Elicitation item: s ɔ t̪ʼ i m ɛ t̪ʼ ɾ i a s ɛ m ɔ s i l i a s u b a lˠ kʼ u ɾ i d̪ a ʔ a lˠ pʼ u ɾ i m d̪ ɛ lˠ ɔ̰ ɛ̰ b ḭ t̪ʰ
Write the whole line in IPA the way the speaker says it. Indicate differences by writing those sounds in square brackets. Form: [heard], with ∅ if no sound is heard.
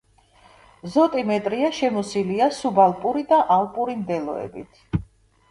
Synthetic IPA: [z] ɔ t̪ʼ i m ɛ t̪ʼ ɾ i a [ʃ] ɛ m ɔ s i l i a s u b a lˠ [pʼ] u ɾ i d̪ a ʔ a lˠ pʼ u ɾ i m d̪ ɛ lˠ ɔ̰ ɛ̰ b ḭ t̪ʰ